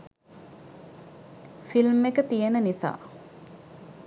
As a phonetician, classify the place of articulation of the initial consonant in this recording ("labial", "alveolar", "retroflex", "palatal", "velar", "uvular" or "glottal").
labial